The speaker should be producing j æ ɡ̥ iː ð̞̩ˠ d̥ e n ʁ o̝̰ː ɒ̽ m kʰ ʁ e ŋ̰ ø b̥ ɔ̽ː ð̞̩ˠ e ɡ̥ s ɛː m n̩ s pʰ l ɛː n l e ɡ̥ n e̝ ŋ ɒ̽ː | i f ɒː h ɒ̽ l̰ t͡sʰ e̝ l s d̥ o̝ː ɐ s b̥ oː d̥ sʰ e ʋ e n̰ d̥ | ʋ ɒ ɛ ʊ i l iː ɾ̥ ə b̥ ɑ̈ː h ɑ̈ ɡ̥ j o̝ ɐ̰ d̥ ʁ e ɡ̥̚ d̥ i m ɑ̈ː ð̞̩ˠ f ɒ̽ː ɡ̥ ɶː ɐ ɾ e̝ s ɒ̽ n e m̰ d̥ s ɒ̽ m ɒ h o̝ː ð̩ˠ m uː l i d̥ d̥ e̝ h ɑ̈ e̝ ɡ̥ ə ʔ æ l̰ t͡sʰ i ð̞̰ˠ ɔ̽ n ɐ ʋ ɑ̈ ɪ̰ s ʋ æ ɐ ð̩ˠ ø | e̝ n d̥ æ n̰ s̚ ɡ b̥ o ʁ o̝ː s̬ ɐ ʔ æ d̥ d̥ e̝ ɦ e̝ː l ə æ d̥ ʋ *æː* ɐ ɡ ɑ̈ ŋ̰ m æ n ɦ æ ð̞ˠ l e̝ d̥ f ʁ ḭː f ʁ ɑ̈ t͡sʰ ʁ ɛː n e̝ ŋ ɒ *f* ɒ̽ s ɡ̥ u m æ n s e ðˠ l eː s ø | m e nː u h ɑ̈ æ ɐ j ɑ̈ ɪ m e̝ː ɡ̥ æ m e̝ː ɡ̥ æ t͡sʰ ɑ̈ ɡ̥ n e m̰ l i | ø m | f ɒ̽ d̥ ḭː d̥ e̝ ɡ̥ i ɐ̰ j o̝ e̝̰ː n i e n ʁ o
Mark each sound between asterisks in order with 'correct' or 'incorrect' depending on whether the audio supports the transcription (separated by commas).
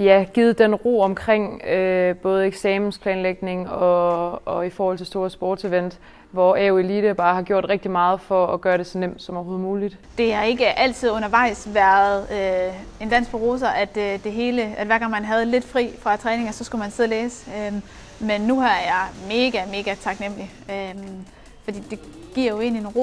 incorrect, incorrect